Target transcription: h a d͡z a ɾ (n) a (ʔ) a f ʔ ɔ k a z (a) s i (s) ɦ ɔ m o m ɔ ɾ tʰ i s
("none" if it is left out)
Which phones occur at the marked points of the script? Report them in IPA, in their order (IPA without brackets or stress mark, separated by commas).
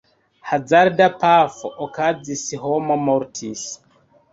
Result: d, p, i, none